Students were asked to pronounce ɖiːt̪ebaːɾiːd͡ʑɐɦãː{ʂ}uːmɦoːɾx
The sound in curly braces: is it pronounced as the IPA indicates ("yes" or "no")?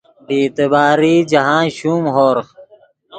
no